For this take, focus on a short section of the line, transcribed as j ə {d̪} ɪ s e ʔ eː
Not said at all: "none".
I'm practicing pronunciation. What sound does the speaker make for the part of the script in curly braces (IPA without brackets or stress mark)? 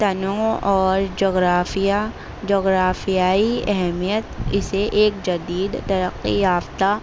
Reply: t̪